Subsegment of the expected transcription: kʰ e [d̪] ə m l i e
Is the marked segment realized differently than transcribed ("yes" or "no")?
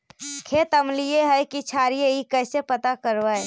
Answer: yes